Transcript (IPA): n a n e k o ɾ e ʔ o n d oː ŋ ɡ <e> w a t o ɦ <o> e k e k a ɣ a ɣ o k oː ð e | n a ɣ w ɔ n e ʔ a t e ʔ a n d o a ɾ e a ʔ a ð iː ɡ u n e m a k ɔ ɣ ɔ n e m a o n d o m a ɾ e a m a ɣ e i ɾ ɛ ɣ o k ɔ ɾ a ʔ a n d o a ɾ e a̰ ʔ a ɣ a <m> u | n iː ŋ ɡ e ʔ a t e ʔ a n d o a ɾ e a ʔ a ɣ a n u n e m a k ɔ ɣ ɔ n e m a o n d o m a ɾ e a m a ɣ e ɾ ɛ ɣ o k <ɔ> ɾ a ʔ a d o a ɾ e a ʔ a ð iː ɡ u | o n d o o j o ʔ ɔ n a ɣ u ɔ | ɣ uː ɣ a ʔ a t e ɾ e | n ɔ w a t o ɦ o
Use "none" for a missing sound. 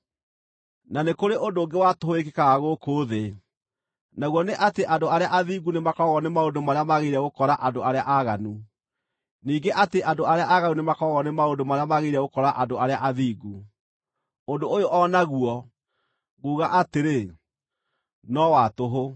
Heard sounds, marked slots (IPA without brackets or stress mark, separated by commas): e, o, n, ɔ